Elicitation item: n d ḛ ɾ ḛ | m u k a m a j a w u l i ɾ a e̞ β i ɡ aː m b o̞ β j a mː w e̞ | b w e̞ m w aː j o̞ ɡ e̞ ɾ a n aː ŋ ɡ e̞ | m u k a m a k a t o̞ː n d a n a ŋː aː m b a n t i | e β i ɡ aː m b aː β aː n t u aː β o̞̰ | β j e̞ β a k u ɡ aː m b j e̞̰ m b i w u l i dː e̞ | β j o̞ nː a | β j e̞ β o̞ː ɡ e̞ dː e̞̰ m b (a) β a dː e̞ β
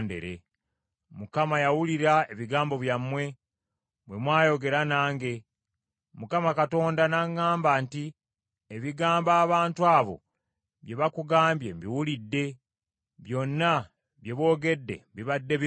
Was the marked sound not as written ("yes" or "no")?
yes